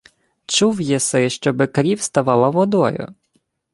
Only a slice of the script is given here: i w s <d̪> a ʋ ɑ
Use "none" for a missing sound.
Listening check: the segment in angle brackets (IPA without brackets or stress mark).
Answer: t̪